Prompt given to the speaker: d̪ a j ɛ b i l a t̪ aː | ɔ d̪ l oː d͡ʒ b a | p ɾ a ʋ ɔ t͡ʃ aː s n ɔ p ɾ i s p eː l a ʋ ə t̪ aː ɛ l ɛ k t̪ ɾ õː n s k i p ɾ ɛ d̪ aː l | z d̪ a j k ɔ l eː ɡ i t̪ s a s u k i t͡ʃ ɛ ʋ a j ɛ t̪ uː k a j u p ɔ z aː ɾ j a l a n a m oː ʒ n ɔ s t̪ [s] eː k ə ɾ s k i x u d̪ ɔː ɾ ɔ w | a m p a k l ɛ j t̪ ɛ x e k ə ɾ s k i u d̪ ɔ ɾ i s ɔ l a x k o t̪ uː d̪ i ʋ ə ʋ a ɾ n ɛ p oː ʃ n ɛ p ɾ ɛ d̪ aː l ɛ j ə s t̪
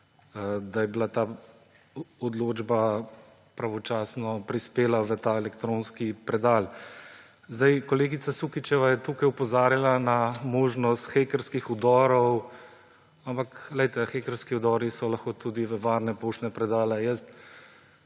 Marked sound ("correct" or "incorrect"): incorrect